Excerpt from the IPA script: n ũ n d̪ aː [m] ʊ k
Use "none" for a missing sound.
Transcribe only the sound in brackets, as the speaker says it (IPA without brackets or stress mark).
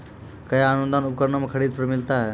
n